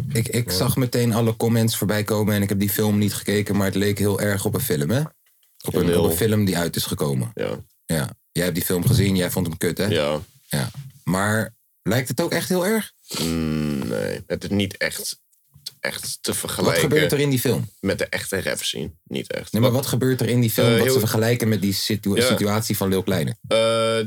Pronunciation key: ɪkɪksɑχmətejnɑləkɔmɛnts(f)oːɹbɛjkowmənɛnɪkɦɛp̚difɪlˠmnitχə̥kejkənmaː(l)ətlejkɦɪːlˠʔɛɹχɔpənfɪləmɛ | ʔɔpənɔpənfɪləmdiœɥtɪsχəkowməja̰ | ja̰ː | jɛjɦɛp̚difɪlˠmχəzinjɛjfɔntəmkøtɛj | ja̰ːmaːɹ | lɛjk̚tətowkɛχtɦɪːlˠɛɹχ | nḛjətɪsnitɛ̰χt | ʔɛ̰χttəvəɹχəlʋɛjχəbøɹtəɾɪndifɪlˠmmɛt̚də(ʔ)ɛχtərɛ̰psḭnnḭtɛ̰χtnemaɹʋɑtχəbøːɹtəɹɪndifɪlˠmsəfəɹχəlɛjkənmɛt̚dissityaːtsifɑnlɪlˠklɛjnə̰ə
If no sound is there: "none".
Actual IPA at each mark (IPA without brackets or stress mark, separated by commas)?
f, ɹ, ʔ